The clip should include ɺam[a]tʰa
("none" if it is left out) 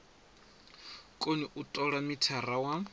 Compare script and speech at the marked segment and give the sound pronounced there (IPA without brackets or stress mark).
i